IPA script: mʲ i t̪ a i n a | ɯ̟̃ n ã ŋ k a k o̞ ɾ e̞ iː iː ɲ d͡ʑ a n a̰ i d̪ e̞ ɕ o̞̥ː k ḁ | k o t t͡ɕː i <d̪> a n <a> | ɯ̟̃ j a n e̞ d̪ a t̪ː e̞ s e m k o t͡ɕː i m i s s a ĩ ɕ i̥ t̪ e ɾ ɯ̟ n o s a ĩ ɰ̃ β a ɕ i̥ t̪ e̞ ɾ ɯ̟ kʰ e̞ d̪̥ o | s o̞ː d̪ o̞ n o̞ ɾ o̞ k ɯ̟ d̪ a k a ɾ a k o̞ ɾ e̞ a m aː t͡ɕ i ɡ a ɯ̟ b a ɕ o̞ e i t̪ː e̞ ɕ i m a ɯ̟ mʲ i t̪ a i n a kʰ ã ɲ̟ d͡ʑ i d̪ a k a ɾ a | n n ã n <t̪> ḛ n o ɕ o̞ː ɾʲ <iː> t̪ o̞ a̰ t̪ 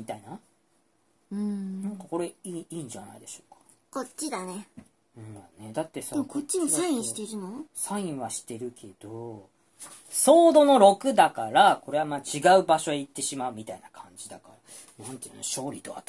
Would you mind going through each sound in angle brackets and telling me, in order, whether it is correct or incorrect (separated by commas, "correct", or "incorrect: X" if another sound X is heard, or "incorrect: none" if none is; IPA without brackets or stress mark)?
correct, incorrect: e, correct, incorrect: i